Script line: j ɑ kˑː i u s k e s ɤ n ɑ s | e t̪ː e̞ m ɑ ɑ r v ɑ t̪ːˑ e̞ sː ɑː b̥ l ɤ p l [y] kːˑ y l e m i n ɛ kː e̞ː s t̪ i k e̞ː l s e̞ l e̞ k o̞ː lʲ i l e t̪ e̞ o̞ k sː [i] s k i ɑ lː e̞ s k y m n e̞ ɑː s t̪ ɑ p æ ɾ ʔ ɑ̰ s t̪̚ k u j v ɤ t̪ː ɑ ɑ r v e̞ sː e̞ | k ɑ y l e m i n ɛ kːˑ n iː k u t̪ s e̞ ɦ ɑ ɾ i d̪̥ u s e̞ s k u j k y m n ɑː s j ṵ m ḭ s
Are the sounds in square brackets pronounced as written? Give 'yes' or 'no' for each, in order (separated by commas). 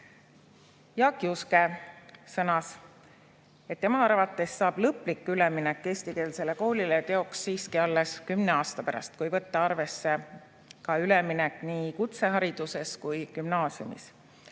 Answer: no, no